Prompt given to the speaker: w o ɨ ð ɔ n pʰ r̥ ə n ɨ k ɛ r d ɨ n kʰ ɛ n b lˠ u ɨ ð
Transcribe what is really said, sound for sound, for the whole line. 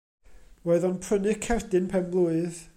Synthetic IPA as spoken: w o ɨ ð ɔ n pʰ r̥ ə n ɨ kʰ ɛ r d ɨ n pʰ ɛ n b lˠ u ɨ ð